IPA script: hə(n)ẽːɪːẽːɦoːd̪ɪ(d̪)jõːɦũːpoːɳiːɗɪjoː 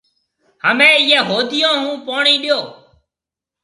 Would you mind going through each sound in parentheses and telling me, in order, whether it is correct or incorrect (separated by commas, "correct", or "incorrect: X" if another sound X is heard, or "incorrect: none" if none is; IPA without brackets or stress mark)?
incorrect: m, incorrect: none